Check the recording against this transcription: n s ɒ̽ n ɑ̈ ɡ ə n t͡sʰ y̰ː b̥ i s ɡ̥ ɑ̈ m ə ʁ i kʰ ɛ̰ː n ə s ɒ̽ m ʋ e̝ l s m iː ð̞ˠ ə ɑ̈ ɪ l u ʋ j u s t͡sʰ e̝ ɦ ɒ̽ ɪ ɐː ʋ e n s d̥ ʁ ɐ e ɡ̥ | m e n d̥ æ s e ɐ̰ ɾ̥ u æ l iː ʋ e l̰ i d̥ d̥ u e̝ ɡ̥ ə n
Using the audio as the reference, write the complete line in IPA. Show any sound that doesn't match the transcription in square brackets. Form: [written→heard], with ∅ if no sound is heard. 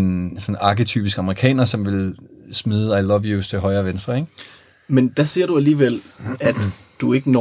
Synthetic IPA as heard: n s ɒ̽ n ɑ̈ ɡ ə [n→∅] t͡sʰ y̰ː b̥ i s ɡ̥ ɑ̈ m ə ʁ i kʰ ɛ̰ː n [ə→ɐ] s ɒ̽ m ʋ e̝ l s m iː ð̞ˠ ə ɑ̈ ɪ l [u→ɒ] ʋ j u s t͡sʰ e̝ ɦ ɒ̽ ɪ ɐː ʋ e n s d̥ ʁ ɐ e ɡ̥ | m e n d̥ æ s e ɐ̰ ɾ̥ u æ l iː ʋ e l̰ [i→æ] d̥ d̥ u e̝ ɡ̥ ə n